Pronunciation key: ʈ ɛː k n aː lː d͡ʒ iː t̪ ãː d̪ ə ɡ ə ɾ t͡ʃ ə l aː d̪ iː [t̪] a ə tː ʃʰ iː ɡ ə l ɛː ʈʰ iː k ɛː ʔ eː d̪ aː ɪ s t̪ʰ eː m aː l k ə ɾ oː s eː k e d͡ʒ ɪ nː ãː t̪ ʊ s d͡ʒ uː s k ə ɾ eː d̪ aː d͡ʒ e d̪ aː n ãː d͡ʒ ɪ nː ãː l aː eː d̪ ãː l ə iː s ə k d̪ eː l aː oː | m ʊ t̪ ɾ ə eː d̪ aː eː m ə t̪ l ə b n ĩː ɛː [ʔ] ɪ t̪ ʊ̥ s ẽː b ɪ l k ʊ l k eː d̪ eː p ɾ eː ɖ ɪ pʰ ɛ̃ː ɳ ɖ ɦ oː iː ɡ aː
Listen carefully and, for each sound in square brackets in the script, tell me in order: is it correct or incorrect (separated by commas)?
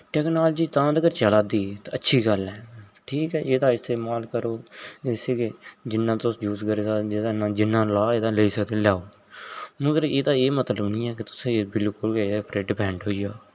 correct, incorrect